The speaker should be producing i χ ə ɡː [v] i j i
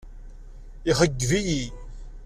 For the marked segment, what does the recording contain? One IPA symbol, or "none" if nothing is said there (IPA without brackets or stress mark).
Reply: v